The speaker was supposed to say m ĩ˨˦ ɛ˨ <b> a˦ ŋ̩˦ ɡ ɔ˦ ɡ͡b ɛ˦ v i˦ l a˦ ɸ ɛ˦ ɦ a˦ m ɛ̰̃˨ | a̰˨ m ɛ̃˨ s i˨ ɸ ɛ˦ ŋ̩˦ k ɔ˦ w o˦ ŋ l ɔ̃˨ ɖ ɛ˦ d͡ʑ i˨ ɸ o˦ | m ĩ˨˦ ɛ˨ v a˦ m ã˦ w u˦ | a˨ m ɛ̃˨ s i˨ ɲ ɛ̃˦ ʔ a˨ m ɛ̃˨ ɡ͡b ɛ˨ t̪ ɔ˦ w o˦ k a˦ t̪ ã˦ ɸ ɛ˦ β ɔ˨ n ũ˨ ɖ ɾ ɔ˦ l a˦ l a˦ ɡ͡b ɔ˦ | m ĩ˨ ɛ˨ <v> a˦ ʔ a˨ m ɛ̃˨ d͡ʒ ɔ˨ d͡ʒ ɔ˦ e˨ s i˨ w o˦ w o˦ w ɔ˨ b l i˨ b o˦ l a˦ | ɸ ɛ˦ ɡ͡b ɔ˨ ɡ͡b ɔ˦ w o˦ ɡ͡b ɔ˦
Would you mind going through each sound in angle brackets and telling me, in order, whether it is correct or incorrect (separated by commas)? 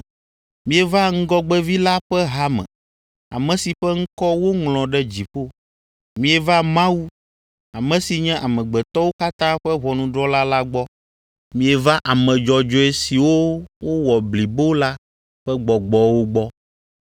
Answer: incorrect, correct